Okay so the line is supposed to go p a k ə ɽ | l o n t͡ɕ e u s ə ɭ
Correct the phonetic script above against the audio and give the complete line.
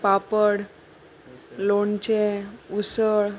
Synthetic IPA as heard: p a p ə ɽ | l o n t͡ɕ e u s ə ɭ